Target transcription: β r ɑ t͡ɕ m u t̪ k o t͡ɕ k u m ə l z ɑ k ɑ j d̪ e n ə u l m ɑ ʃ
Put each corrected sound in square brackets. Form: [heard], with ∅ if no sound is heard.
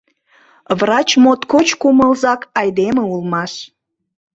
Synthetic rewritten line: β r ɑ t͡ɕ m [o] t̪ k o t͡ɕ k u m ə l z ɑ k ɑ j d̪ e [m] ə u l m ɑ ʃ